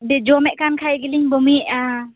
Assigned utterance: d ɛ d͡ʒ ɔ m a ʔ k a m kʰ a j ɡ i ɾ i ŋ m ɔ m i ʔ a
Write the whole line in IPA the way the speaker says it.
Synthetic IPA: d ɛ d͡ʒ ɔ m ɛ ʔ k a n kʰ a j ɡ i l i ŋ b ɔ m i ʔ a